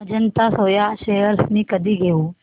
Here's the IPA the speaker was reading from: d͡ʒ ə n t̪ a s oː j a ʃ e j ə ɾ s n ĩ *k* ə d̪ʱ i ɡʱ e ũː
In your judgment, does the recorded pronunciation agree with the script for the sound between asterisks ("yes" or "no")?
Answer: yes